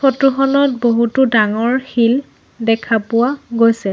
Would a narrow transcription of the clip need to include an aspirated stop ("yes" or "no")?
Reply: yes